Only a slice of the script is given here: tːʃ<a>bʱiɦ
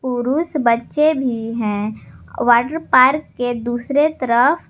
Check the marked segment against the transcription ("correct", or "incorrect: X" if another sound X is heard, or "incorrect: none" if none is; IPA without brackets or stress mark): incorrect: e